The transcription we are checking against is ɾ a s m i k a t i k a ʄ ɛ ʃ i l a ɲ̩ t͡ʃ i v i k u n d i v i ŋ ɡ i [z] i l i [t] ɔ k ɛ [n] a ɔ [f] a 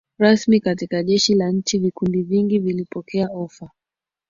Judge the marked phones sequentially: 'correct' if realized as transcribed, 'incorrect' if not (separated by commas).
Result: incorrect, incorrect, incorrect, correct